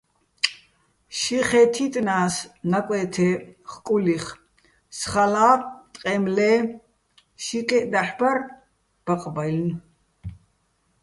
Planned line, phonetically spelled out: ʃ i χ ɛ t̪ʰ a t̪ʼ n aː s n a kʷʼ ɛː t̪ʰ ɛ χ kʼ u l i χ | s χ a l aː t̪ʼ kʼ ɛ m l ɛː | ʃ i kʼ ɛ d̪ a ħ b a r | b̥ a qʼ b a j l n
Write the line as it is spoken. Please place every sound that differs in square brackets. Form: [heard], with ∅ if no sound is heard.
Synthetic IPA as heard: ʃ i χ ɛ t̪ʰ [i] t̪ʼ n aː s n a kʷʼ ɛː t̪ʰ ɛ χ kʼ u l i χ | s χ a l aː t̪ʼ [qʼ] ɛ m l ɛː | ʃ i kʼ ɛ d̪ a ħ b a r | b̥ a qʼ b a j l n